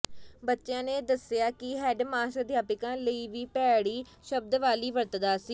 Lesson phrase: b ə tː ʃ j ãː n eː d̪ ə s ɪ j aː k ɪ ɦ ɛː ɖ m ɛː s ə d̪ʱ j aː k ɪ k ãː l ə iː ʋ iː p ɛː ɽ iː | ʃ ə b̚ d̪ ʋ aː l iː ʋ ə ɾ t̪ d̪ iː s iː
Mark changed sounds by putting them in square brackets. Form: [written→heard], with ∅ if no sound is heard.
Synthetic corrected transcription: b ə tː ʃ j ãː n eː d̪ ə s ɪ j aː k ɪ ɦ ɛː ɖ m [ɛː→aː] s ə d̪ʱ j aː [k→p] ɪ k ãː l ə iː ʋ iː p ɛː ɽ iː | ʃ ə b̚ d̪ ʋ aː l iː ʋ ə ɾ t̪ d̪ [iː→aː] s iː